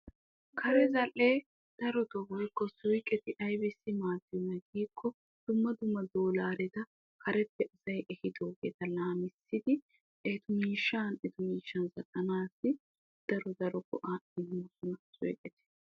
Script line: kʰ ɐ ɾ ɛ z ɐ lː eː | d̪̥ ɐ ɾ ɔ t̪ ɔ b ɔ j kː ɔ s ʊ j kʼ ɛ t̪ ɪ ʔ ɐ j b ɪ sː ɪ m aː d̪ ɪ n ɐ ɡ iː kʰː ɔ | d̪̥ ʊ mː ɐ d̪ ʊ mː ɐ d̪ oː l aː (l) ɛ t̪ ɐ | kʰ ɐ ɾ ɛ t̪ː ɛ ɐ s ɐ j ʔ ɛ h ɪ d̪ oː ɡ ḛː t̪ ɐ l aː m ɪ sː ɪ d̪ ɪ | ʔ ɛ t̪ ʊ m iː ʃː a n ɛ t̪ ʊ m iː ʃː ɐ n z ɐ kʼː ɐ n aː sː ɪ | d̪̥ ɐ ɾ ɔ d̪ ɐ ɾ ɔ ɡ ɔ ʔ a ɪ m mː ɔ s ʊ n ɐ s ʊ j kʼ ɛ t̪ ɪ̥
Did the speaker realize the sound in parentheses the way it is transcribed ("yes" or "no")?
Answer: no